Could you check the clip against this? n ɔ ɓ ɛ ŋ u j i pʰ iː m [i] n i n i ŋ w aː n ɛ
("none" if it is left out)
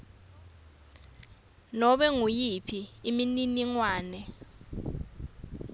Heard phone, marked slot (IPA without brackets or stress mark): i